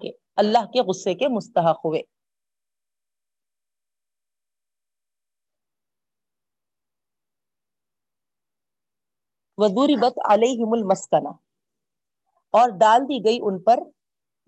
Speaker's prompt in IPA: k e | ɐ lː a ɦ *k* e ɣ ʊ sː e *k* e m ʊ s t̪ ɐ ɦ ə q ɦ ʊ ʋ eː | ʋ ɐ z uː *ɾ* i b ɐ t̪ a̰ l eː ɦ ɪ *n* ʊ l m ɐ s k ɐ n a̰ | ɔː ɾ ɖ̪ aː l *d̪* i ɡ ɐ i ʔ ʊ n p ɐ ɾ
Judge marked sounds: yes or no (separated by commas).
yes, yes, yes, no, yes